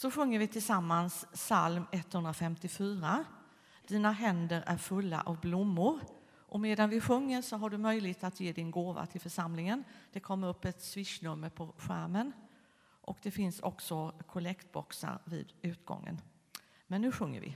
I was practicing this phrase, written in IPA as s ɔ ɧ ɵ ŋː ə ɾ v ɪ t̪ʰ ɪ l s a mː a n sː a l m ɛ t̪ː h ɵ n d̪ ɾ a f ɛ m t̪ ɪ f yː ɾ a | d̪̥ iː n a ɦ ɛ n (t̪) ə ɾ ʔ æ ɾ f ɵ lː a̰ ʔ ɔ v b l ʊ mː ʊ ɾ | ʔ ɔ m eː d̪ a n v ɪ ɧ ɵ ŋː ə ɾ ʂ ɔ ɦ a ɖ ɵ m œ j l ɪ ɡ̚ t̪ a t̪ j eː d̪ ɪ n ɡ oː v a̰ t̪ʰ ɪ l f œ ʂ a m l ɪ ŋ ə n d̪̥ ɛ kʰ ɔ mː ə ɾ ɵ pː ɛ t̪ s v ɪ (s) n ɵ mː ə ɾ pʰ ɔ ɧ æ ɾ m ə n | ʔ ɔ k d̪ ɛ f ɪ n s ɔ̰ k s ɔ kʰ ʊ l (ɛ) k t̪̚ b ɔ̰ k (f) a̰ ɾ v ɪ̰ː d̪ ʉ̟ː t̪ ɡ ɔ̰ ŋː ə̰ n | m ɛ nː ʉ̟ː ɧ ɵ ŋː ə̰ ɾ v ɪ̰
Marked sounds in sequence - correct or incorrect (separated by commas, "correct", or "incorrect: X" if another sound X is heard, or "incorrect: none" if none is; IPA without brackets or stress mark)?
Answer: incorrect: d̪, incorrect: ʂ, correct, incorrect: s